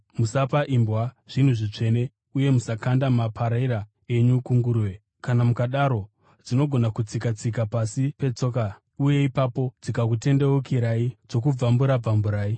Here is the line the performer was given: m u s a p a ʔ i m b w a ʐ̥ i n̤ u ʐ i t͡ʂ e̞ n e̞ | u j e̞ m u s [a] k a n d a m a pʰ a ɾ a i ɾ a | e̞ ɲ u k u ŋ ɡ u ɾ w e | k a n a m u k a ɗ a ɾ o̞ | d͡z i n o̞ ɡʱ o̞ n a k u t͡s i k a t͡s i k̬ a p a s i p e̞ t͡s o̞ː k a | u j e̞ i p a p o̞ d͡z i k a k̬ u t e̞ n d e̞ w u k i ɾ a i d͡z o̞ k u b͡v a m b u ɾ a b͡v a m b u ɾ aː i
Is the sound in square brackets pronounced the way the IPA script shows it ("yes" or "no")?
yes